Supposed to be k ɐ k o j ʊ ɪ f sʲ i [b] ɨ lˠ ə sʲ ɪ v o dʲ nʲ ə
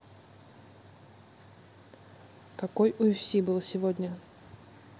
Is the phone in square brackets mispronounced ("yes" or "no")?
no